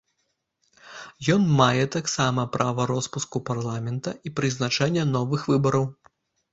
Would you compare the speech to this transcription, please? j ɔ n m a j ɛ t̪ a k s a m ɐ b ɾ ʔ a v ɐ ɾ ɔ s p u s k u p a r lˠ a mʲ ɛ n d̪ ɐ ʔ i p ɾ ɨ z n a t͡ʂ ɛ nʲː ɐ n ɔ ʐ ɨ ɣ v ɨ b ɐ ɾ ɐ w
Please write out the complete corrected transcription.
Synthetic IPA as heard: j ɔ n m a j ɛ t̪ a k s a m ɐ p ɾ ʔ a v ɐ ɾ ɔ s p u s k u p a r lˠ a mʲ ɛ n t̪ ɐ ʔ i p ɾ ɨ z n a t͡ʂ ɛ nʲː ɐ n ɔ v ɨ x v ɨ b ɐ ɾ ɐ w